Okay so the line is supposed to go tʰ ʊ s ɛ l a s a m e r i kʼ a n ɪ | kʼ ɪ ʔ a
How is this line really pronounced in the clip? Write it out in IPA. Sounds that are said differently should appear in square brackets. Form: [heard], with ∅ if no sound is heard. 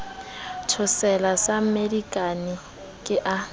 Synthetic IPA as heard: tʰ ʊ s ɛ l a s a m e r i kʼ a n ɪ | kʼ ɪ ʔ a